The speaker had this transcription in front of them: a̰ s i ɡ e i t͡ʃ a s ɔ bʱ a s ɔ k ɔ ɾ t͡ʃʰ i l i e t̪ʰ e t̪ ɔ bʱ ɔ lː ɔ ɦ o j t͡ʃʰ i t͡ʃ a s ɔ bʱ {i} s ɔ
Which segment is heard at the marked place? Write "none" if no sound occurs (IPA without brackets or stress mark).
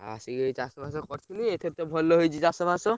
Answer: a